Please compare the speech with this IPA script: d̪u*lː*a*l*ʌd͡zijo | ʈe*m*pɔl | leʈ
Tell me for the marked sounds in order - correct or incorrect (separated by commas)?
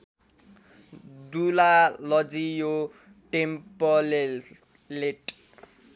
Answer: incorrect, correct, correct